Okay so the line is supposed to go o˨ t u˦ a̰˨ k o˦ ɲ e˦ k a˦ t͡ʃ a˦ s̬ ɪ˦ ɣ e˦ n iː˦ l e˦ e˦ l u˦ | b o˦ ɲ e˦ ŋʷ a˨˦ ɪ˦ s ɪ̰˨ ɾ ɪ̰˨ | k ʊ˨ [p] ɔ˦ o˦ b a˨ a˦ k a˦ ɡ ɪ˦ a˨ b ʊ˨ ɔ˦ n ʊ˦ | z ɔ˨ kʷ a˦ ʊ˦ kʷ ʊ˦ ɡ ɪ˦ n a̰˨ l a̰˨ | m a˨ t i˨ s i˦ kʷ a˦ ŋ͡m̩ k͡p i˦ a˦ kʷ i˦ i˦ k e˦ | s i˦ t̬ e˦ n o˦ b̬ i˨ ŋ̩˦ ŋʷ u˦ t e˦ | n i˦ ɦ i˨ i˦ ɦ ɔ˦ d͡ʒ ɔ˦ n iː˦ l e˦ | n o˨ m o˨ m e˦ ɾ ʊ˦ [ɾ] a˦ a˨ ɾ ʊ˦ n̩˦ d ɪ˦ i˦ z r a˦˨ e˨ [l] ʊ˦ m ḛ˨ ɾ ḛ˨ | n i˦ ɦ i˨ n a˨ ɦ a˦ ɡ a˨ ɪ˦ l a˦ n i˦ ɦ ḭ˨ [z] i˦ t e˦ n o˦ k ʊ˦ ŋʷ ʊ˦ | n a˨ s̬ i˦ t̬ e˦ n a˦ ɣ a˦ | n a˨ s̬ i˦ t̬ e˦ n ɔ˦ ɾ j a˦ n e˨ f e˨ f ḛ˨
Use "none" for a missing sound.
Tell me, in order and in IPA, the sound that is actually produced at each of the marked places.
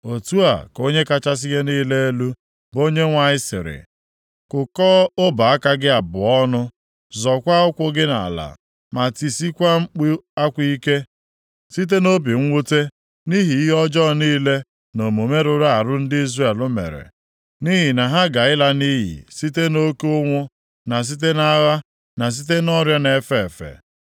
k, ɾ, l, s

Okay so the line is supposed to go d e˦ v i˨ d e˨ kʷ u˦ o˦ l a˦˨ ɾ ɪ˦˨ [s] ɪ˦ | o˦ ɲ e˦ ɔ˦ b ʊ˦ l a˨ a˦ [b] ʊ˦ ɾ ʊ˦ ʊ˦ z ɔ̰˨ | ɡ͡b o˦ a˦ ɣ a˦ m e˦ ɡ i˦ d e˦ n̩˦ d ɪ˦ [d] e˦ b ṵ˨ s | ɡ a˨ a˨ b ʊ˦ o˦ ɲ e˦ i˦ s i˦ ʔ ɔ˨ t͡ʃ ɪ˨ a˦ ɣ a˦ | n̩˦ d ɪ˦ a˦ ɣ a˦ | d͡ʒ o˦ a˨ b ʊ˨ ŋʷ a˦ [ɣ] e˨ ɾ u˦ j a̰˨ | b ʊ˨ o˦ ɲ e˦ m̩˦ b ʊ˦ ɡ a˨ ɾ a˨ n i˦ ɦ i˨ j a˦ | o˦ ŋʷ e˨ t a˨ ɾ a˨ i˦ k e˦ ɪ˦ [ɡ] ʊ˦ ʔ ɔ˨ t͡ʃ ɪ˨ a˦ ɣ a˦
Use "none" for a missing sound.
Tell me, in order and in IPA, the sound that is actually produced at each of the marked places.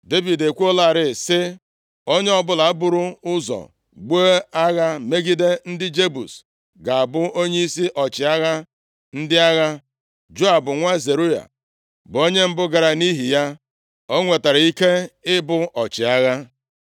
s, b, d͡ʒ, z, b

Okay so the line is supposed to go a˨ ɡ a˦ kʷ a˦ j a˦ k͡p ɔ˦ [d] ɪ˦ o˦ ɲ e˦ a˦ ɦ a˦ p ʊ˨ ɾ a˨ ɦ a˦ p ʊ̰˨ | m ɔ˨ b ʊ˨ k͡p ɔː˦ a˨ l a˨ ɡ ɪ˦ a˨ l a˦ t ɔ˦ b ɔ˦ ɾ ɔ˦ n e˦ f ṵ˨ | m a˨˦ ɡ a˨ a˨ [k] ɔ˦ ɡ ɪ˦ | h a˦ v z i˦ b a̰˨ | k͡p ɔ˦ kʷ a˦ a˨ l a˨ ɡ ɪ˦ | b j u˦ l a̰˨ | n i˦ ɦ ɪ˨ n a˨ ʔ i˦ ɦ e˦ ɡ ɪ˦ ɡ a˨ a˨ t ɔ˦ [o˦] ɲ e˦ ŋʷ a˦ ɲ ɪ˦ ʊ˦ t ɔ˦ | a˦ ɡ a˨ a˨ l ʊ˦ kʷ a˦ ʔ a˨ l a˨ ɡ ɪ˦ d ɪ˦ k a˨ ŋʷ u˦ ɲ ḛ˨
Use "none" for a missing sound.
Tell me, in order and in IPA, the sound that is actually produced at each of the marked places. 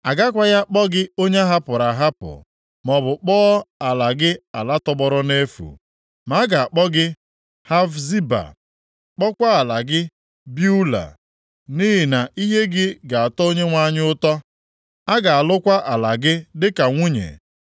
ɡ, k͡p, o˦

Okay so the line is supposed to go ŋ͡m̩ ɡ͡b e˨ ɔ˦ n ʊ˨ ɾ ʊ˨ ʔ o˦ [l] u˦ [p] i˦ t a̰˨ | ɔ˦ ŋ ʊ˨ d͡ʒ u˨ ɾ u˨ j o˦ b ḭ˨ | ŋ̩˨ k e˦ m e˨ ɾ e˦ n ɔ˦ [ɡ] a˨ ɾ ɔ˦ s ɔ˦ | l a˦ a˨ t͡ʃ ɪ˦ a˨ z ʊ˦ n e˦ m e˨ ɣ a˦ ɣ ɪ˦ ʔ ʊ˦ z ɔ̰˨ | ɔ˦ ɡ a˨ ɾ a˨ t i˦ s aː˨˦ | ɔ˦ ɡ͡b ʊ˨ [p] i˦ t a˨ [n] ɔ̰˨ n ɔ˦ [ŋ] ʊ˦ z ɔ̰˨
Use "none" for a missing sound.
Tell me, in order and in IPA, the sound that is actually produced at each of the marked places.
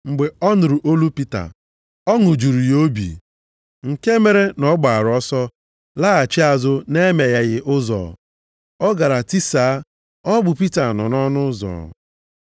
l, p, ɡ͡b, p, n, n

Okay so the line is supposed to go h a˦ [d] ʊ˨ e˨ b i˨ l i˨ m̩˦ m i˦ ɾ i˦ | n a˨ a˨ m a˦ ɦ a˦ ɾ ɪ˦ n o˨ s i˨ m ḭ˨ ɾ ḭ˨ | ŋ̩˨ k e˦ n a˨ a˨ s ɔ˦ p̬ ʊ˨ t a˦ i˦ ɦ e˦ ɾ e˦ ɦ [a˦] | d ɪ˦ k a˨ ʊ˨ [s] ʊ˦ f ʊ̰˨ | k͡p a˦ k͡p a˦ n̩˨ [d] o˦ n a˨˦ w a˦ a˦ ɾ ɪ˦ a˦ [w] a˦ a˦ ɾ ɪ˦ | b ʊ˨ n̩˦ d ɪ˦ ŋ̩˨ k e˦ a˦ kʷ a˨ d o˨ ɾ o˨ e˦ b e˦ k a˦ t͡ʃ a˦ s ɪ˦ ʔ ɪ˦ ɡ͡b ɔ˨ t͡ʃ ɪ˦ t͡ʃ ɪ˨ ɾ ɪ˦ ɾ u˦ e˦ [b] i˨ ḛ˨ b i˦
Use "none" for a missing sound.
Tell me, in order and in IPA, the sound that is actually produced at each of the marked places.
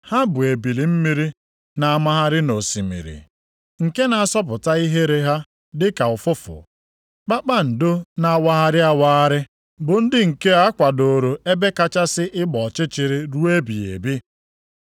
b, a˦, f, d, w, b

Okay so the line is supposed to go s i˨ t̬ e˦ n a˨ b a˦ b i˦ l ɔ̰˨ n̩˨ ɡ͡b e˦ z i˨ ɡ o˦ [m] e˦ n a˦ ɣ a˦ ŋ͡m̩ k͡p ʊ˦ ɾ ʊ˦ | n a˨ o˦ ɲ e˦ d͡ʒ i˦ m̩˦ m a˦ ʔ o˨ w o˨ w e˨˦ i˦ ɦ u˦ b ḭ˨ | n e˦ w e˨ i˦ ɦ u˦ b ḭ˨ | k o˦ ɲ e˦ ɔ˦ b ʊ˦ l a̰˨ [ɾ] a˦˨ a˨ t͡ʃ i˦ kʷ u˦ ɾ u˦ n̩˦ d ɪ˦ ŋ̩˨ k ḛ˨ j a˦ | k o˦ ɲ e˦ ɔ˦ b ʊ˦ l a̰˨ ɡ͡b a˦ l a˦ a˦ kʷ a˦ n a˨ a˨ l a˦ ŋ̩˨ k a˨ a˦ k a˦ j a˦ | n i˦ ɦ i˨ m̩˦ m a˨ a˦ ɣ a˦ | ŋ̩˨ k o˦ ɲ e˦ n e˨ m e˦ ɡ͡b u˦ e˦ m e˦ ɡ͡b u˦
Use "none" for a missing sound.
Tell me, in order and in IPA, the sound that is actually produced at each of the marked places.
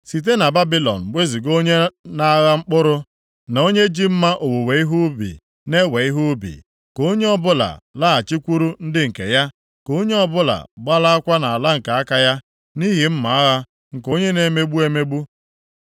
ɲ, l

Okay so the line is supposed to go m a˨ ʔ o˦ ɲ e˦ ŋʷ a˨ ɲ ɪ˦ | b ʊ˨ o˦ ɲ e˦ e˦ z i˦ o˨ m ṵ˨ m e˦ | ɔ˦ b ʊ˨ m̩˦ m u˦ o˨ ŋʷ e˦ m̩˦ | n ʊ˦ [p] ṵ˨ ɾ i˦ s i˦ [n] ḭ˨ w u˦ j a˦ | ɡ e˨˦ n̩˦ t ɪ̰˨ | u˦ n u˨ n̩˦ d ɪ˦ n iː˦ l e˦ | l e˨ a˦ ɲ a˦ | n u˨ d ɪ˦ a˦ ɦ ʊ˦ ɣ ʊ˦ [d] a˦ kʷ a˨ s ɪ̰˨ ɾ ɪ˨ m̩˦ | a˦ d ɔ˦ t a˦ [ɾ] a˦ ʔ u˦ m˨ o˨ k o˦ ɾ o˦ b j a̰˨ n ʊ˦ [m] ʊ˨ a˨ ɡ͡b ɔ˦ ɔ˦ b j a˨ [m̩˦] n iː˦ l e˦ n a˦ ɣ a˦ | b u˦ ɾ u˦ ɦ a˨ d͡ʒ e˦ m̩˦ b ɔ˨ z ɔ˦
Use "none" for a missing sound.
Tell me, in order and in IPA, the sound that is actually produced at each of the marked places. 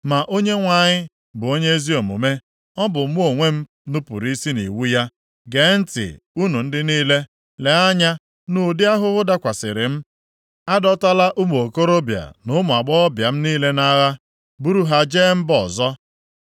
p, n, d, l, m, m̩˦

